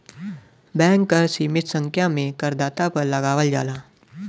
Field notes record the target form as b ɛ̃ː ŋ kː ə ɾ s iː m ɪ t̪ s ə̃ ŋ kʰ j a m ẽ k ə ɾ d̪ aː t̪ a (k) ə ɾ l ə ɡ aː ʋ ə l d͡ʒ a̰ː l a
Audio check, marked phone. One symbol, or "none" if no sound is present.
p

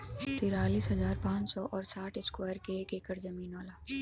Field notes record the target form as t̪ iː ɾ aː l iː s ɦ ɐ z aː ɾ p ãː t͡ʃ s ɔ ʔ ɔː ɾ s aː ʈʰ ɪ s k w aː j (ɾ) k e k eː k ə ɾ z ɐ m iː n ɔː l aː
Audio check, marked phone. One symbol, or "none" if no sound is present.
ɾ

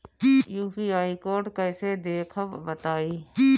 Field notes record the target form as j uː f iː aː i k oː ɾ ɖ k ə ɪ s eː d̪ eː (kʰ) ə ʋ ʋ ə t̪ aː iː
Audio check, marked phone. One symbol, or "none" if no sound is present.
kʰ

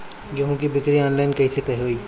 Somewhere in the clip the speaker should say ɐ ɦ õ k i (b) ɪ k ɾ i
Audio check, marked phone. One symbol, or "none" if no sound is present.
b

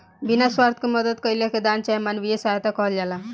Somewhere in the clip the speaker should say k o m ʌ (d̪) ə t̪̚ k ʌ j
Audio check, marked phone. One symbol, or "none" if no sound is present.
d̪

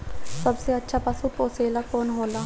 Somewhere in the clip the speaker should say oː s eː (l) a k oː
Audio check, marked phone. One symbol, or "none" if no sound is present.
l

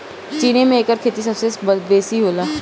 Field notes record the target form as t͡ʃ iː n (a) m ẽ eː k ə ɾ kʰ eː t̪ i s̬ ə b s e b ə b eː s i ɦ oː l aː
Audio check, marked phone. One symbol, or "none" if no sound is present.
e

